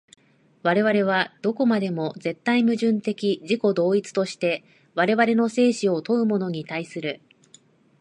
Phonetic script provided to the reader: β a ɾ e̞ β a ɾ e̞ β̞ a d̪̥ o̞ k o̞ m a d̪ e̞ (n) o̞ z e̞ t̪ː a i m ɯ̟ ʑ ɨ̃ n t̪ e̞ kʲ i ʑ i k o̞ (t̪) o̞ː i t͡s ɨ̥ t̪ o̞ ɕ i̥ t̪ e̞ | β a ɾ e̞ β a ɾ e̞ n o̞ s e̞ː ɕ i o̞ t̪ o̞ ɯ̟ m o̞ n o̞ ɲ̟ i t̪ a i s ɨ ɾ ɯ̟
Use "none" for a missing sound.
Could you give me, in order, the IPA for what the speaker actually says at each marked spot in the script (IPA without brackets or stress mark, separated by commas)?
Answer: m, d̪